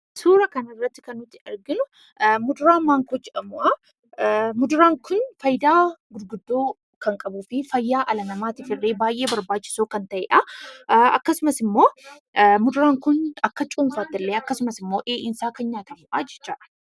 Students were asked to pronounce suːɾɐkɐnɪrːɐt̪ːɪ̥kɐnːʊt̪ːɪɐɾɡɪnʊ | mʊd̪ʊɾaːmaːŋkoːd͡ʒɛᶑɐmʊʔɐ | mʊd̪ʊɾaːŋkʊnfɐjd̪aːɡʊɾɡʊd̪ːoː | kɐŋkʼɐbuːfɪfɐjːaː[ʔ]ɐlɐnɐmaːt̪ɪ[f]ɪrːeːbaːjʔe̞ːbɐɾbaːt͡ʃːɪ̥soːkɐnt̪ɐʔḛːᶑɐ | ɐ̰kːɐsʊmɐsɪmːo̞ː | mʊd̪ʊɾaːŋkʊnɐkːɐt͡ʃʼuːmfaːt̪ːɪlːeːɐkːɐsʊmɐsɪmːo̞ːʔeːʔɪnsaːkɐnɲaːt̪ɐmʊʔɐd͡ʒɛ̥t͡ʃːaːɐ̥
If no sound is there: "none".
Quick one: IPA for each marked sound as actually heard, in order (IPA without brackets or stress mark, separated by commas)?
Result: ʔ, f